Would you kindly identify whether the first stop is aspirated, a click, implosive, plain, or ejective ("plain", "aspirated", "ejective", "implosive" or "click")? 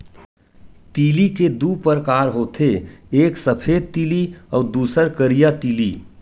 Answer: plain